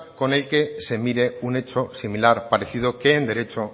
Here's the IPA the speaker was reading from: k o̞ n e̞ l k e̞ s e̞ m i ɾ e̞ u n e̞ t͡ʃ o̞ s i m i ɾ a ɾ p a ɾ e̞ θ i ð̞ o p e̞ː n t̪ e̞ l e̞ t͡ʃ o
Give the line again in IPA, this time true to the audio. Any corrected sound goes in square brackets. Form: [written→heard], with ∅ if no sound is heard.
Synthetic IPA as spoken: k o̞ n e̞ l k e̞ s e̞ m i ɾ e̞ u n e̞ t͡ʃ o̞ s i m i [ɾ→l] a ɾ p a ɾ e̞ θ i ð̞ o [p→k] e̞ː n [t̪→d̪] e̞ [l→ɾ] e̞ t͡ʃ o

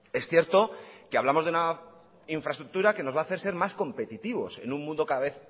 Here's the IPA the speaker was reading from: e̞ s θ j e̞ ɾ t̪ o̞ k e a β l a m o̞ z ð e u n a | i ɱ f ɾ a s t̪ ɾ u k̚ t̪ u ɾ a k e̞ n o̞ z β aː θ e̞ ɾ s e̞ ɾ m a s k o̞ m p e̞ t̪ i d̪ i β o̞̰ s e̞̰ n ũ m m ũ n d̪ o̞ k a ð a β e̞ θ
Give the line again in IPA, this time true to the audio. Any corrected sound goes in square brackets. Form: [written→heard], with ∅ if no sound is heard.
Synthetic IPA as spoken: e̞ s θ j e̞ ɾ t̪ o̞ k e a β l a m o̞ z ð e u n a | i ɱ f ɾ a s t̪ ɾ u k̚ t̪ u ɾ a k e̞ n o̞ z β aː θ e̞ ɾ s e̞ ɾ m a s k o̞ m p e̞ t̪ i [d̪→t̪] i β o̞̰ s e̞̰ n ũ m m ũ n d̪ o̞ k a ð a β e̞ θ

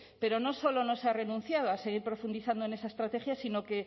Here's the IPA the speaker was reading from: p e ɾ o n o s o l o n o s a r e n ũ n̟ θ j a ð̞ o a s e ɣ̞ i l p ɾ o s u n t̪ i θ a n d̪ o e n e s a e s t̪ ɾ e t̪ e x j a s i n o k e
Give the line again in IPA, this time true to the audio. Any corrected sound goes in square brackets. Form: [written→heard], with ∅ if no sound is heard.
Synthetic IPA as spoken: p e ɾ o n o s o l o n o s a r e n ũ n̟ θ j a ð̞ o a s e ɣ̞ i [l→ɾ] p ɾ o [s→f] u n [t̪→d̪] i θ a n d̪ o e n e s a e s t̪ ɾ [e→a] t̪ e x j a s i n o k e

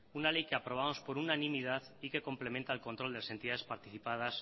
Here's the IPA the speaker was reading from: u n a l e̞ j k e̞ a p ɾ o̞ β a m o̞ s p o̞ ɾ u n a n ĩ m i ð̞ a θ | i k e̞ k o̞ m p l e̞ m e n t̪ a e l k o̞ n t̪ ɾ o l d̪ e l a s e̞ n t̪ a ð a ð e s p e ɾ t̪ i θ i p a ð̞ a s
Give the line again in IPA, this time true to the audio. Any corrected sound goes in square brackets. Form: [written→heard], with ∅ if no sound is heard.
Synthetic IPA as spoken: u n a l e̞ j k e̞ a p ɾ o̞ β a m o̞ s p o̞ ɾ u n a n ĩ m i ð̞ a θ | i k e̞ k o̞ m p l e̞ m e n t̪ a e l k o̞ n t̪ ɾ o l d̪ e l a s e̞ n t̪ [a→i] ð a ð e s p [e→a] ɾ t̪ i θ i p a ð̞ a s

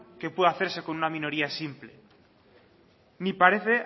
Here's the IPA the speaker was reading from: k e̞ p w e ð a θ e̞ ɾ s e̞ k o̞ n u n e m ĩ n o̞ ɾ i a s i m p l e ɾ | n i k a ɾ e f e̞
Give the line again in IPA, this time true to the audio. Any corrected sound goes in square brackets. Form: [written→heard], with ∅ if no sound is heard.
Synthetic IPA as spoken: k e̞ p w e ð a θ e̞ ɾ s e̞ k o̞ n u n [e→a] m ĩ n o̞ ɾ i a s i m p l e [ɾ→∅] | n i [k→p] a ɾ e [f→θ] e̞

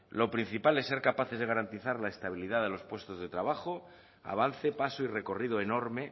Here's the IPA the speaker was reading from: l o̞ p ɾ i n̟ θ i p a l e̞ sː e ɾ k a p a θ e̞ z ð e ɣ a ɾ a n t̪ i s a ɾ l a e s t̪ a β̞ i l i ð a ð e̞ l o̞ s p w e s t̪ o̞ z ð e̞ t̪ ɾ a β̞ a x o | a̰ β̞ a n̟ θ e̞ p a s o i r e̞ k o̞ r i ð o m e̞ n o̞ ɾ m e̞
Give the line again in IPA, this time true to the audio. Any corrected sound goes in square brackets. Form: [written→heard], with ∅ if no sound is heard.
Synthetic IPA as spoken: l o̞ p ɾ i n̟ θ i p a l e̞ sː e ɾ k a p a θ e̞ z ð e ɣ a ɾ a n t̪ i [s→θ] a ɾ l a e s t̪ a β̞ i l i ð a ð e̞ l o̞ s p w e s t̪ o̞ z ð e̞ t̪ ɾ a β̞ a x o | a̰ β̞ a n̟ θ e̞ p a s o i r e̞ k o̞ r i ð o [m→∅] e̞ n o̞ ɾ m e̞

